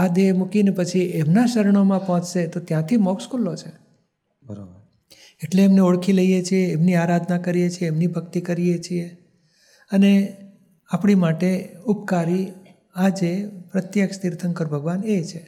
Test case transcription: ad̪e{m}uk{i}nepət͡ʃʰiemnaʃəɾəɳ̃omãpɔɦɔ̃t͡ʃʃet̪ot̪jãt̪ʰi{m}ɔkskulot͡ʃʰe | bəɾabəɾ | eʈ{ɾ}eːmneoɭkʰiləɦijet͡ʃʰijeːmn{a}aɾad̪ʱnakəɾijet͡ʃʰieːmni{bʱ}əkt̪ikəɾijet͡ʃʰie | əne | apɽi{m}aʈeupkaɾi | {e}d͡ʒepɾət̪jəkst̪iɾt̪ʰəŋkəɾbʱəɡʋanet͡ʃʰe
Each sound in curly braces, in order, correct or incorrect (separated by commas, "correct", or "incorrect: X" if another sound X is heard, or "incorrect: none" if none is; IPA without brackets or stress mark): correct, correct, correct, incorrect: l, incorrect: i, correct, correct, incorrect: a